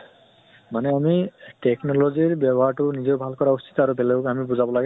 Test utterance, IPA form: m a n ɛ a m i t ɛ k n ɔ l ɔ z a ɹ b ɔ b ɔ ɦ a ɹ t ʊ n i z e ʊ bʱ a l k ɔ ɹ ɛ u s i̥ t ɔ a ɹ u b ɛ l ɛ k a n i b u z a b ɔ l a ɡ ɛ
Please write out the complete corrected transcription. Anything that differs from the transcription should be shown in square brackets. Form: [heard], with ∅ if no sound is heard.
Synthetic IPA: m a n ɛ a m i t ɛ k n ɔ l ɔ z [i] ɹ b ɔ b ɔ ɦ a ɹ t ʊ n i z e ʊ bʱ a l k ɔ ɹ [a] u s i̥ t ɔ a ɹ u b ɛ l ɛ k a [m] i b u z a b ɔ l a ɡ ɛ